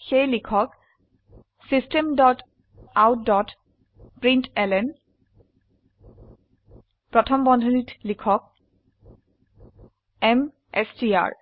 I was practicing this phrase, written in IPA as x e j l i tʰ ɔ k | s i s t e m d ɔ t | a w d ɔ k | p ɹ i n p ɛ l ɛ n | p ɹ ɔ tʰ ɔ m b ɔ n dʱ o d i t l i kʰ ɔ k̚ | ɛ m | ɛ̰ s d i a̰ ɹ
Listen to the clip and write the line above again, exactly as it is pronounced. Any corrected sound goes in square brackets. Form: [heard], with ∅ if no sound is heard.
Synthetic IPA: x e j l i [kʰ] ɔ k | s i s t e m d ɔ t | a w d ɔ [t] | p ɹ i n [t] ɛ l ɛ n | p ɹ ɔ tʰ ɔ m b ɔ n dʱ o [n] i t l i kʰ ɔ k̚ | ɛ m | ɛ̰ s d i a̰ ɹ